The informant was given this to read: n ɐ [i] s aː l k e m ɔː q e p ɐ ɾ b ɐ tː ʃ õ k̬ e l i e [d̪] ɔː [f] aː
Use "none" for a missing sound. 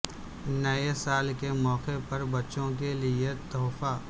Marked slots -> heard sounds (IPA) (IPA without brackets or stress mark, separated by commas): e, t̪, f